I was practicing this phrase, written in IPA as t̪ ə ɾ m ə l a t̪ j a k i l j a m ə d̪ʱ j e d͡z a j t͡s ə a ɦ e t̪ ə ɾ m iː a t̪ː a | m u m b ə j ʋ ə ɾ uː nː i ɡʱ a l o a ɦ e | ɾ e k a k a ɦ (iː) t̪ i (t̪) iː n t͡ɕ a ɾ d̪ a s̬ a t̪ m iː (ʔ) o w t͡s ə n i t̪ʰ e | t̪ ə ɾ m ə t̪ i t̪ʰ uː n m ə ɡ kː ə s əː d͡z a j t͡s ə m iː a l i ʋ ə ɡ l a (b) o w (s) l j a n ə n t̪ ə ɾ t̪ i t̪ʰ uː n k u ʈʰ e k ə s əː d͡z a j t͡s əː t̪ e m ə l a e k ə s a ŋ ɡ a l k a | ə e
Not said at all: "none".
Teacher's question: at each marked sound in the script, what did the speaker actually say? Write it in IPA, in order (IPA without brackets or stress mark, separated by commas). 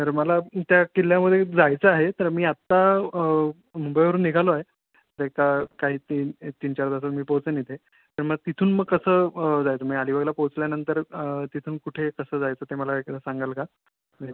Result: iː, t̪, p, p, t͡s